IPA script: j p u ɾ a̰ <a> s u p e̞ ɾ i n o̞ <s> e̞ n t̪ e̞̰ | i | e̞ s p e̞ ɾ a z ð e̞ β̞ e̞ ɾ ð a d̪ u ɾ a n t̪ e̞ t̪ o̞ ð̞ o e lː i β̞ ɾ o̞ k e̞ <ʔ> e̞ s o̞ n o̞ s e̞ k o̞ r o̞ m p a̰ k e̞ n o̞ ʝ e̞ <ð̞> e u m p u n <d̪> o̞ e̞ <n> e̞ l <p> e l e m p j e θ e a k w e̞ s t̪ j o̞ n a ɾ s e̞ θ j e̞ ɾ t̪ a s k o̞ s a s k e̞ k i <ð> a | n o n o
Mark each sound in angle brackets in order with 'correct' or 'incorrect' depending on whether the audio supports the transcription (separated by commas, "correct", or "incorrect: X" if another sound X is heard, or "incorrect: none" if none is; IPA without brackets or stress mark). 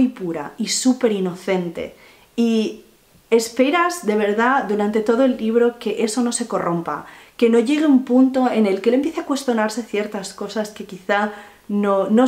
incorrect: i, incorrect: θ, correct, incorrect: ɣ̞, incorrect: t̪, correct, incorrect: k, incorrect: θ